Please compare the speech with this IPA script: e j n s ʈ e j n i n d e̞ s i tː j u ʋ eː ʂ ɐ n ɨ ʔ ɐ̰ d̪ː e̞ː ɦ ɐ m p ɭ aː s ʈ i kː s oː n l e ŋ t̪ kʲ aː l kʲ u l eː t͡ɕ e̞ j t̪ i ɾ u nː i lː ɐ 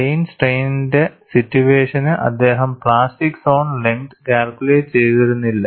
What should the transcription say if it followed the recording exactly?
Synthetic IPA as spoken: e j n s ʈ e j n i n d e̞ s i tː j u ʋ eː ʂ ɐ n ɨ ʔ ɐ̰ d̪ː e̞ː ɦ ɐ m p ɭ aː s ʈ i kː s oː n l e ŋ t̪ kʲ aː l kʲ u l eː t͡ɕ e̞ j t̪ i ɾ u nː i lː ɐ